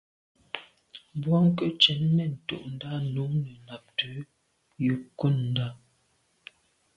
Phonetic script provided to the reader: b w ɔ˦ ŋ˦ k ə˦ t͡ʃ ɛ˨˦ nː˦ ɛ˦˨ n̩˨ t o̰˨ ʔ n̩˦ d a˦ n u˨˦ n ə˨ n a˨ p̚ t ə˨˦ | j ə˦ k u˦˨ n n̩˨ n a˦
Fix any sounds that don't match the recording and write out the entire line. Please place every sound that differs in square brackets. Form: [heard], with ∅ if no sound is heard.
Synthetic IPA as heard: b w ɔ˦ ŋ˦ k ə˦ t͡ʃ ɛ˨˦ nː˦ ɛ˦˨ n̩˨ t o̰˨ ʔ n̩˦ d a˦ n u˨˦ n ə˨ n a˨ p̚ t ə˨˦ | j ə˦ k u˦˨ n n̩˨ [d] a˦